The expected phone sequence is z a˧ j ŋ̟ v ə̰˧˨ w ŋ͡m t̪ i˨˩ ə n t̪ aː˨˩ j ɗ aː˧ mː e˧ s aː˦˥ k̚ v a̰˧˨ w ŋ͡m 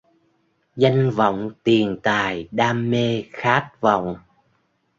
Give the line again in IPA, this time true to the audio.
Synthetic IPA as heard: z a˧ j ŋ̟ v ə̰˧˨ w ŋ͡m t̪ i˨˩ ə n t̪ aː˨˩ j ɗ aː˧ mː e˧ x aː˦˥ t̚ v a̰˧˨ w ŋ͡m